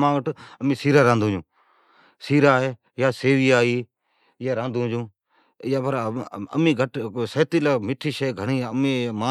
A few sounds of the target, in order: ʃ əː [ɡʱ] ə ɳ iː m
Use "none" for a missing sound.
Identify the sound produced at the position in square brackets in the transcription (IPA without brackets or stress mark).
ɡʱ